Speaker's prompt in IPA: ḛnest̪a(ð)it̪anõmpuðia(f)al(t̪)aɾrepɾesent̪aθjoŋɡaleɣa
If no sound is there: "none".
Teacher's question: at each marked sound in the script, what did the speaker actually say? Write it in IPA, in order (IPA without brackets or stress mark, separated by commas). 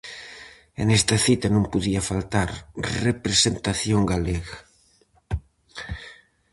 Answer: θ, f, t̪